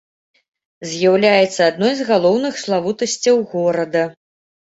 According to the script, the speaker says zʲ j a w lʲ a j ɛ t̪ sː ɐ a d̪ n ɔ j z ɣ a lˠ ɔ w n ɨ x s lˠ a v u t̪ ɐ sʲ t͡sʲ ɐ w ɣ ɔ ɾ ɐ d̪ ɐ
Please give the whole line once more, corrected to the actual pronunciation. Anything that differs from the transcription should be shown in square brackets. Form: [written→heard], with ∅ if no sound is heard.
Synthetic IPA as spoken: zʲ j a w lʲ a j ɛ t̪ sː ɐ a d̪ n ɔ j z ɣ a lˠ ɔ w n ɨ x s lˠ a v u t̪ ɐ sʲ t͡sʲ ɐ w ɣ ɔ ɾ ɐ d̪ ɐ

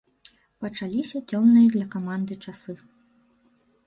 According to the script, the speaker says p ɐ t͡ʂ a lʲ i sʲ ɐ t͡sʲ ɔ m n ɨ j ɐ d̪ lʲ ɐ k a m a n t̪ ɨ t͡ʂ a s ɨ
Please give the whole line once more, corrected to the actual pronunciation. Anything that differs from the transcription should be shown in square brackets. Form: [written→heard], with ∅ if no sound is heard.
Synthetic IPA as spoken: p ɐ t͡ʂ a lʲ i sʲ ɐ t͡sʲ ɔ m n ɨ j ɐ d̪ lʲ ɐ k a m a n [t̪→d̪] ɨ t͡ʂ a s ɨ

